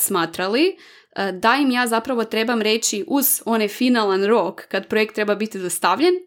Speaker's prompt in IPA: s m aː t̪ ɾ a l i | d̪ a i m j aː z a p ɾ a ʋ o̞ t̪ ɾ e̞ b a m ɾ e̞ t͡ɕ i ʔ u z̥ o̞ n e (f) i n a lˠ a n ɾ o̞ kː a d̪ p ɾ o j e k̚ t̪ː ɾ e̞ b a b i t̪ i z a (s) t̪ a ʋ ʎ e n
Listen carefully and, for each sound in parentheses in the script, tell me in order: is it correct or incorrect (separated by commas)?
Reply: correct, correct